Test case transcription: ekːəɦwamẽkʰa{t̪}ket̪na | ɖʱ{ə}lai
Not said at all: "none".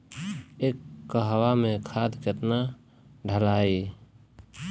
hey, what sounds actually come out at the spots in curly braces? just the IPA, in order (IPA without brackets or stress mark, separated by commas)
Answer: d̪, ə